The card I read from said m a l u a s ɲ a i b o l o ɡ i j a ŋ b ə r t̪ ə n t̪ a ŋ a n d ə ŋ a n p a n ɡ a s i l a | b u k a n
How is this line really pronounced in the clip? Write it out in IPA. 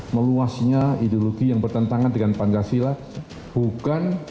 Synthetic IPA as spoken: m ə l u a s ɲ a i d o l o ɡ i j a ŋ b ə r t̪ ə n t̪ a ŋ a n d ə ŋ a n p a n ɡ a s i l a | b u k a n